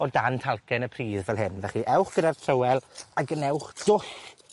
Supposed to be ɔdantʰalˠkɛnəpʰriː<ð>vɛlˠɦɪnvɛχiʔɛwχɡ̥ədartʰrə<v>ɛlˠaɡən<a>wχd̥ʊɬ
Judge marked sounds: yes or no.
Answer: yes, no, no

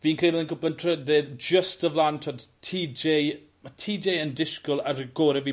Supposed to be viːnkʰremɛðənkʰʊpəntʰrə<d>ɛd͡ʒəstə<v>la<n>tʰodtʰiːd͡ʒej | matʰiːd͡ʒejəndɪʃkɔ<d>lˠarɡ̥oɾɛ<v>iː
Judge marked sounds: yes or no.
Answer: yes, yes, yes, no, yes

